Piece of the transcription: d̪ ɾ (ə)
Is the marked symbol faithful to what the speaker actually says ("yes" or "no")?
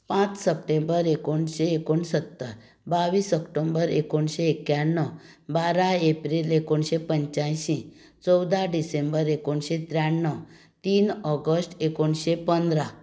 no